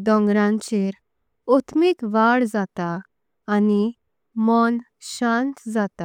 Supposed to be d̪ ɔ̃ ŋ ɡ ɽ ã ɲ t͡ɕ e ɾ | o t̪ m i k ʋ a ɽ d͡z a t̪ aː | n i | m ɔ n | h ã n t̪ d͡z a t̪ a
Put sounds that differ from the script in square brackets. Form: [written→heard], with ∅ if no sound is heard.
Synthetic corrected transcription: d̪ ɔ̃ ŋ ɡ [ɽ→ɾ] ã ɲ t͡ɕ e ɾ | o t̪ m i k ʋ a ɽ d͡z a t̪ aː | n i | m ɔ n | [h→ɕ] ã n t̪ d͡z a t̪ a